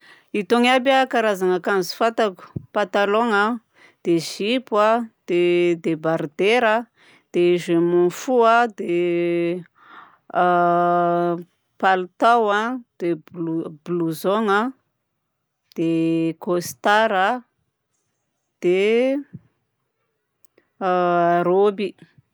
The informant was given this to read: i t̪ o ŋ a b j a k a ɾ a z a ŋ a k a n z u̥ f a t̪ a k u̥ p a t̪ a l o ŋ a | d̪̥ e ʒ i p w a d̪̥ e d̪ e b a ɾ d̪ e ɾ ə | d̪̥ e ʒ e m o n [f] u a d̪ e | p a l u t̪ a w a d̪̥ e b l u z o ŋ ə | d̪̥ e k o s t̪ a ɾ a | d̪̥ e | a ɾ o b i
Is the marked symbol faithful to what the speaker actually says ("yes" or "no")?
yes